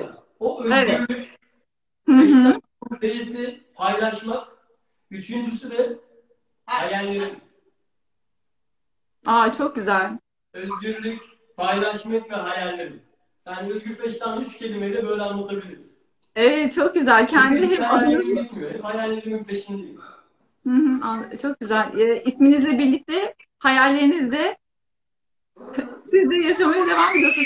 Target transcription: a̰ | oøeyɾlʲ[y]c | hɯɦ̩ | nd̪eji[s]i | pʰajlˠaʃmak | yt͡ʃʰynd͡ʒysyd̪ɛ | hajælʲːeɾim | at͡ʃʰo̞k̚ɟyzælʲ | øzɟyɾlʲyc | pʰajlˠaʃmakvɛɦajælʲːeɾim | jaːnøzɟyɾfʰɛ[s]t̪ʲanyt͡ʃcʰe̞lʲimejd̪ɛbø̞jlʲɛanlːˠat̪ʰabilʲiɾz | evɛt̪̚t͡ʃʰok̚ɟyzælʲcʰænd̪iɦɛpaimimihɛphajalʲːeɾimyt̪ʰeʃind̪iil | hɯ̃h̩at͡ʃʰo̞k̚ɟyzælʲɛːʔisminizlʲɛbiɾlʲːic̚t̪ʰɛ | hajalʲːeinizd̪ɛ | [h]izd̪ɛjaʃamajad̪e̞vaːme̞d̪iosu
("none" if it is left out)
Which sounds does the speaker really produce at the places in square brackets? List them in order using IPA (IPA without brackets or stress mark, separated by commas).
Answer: y, s, ʃ, s